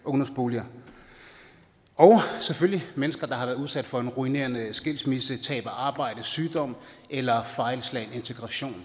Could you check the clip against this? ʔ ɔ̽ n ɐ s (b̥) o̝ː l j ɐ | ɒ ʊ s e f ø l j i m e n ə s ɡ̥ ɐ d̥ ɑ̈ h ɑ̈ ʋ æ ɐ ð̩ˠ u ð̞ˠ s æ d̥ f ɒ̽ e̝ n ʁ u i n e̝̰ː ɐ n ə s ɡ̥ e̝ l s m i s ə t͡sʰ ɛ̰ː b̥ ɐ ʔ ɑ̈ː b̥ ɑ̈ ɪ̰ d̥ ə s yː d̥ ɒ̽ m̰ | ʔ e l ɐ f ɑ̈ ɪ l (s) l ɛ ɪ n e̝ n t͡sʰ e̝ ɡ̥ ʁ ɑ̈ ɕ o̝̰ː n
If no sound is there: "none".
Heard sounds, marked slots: b̥, s

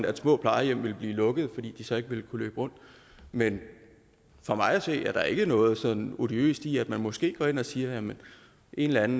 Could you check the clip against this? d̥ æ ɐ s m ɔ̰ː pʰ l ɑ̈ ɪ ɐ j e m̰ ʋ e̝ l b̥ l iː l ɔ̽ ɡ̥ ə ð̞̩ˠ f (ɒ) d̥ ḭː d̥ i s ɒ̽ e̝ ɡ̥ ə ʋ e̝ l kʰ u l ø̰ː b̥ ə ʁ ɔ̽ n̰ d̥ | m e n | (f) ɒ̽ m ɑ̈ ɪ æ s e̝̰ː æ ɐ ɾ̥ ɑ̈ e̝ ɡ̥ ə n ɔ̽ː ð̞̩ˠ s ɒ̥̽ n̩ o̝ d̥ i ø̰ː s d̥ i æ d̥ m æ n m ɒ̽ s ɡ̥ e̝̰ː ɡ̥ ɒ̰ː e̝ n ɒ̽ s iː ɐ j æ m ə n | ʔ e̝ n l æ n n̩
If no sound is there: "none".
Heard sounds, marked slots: ɒ, f

